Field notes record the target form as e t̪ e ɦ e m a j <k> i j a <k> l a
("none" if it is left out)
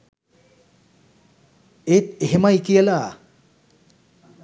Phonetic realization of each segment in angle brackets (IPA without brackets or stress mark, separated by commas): k, none